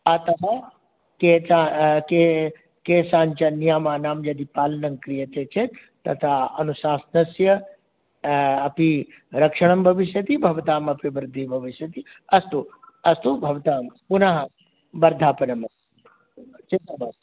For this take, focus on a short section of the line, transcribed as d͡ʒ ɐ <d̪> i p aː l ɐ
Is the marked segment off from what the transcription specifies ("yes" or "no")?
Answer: no